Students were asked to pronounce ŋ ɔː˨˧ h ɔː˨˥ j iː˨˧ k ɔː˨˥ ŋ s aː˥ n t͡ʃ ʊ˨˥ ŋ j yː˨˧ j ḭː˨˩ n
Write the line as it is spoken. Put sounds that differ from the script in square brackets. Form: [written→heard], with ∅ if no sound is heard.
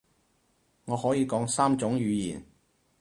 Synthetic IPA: ŋ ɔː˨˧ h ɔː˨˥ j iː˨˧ k ɔː˨˥ ŋ s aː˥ [n→m] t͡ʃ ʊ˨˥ ŋ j yː˨˧ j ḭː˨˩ n